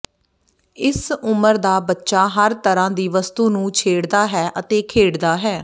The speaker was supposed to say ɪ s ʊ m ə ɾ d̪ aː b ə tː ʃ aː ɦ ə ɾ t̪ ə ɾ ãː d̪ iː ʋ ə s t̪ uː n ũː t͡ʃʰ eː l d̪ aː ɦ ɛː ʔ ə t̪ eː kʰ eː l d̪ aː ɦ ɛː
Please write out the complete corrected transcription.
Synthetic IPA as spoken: ɪ s ʊ m ə ɾ d̪ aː b ə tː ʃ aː ɦ ə ɾ t̪ ə ɾ ãː d̪ iː ʋ ə s t̪ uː n ũː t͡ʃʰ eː ɽ d̪ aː ɦ ɛː ʔ ə t̪ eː kʰ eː ɽ d̪ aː ɦ ɛː